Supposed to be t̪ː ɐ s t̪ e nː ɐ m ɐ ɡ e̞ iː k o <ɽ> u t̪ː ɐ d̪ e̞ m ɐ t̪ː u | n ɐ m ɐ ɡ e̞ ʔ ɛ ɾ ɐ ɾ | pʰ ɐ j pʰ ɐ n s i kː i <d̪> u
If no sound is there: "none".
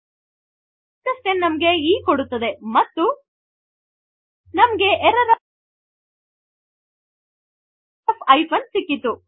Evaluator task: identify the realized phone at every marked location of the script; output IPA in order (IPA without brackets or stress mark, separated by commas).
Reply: ɽ, t̪